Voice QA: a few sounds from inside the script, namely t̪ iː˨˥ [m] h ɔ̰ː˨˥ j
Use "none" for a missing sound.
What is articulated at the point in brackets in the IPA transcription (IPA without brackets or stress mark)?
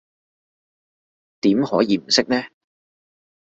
m